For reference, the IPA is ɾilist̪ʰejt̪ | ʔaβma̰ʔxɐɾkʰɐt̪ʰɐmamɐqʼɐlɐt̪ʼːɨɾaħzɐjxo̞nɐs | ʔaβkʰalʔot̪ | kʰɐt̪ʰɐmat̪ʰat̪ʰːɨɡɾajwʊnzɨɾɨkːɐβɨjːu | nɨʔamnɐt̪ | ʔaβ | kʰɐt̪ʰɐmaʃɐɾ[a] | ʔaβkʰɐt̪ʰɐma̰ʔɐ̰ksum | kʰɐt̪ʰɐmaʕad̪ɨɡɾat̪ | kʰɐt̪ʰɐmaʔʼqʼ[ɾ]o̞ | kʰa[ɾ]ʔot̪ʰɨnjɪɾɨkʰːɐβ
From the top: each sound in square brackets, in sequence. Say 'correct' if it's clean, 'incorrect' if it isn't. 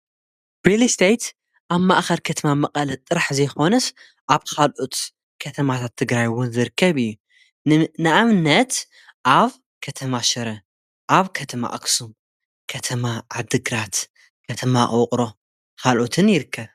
incorrect, correct, incorrect

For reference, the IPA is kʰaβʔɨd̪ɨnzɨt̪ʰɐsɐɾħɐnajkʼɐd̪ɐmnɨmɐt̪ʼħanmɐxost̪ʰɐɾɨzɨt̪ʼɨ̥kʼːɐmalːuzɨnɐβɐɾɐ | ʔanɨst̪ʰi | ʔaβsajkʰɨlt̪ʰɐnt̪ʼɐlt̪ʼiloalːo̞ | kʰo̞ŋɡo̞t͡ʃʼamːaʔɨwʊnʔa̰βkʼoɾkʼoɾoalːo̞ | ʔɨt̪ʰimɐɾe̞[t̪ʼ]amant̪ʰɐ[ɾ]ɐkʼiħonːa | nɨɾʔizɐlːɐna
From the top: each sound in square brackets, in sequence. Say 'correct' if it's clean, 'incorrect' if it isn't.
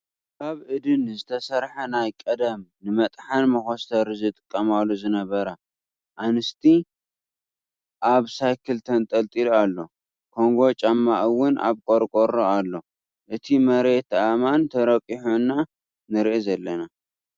incorrect, correct

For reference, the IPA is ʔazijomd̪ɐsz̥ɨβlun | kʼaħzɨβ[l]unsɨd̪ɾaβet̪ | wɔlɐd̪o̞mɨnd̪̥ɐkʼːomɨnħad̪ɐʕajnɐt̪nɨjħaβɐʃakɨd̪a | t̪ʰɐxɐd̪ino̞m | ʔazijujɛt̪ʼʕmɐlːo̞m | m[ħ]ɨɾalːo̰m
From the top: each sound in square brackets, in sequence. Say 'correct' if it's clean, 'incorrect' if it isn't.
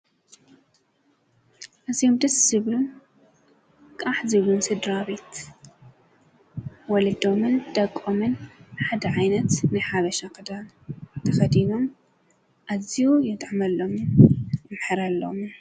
correct, correct

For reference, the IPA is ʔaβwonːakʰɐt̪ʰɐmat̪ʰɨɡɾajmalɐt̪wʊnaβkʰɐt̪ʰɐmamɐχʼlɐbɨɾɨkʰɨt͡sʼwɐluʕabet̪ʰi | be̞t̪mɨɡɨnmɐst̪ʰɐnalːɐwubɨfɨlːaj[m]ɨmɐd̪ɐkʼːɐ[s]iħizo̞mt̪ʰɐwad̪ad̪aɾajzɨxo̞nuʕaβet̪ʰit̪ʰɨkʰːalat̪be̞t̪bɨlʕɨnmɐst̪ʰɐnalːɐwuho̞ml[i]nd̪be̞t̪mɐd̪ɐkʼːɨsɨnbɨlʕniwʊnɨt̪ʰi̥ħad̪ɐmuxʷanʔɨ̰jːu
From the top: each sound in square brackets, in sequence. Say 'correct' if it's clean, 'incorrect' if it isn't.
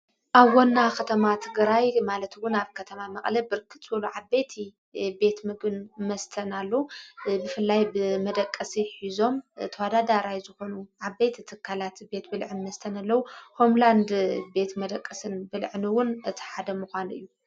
incorrect, correct, incorrect

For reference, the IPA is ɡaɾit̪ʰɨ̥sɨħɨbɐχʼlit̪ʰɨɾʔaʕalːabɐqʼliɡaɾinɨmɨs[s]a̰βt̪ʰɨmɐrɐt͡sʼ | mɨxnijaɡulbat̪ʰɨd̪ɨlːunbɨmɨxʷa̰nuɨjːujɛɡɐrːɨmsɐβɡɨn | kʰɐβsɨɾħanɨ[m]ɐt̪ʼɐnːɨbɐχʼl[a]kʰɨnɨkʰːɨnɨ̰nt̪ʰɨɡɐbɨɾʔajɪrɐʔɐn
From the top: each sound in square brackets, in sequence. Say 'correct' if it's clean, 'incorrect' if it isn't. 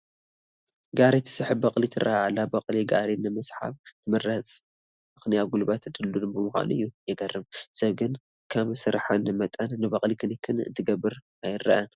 incorrect, correct, incorrect

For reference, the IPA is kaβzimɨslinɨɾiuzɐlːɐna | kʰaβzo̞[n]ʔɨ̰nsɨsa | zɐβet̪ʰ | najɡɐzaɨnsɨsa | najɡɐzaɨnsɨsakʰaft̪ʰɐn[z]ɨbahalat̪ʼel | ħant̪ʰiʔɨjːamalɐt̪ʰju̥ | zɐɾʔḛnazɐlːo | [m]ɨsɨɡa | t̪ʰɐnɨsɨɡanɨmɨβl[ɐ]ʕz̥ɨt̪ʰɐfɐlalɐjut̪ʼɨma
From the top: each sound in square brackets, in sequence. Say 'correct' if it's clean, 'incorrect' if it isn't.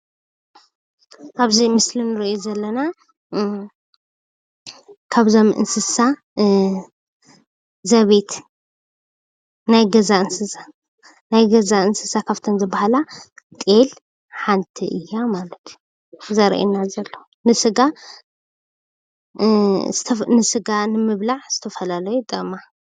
incorrect, correct, incorrect, incorrect

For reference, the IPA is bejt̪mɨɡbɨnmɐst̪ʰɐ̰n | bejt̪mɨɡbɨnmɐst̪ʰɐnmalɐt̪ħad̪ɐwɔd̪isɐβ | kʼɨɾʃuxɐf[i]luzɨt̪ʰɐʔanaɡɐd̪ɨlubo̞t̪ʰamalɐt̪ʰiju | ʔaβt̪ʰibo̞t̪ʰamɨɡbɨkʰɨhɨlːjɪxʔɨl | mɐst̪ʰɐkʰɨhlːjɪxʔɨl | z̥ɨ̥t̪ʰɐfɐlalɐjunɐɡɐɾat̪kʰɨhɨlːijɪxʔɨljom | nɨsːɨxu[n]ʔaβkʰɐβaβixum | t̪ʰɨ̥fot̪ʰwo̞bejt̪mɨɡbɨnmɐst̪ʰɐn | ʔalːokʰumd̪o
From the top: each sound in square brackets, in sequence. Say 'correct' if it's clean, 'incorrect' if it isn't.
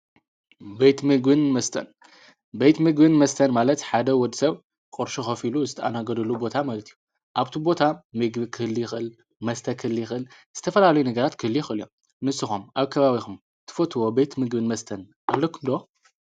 correct, incorrect

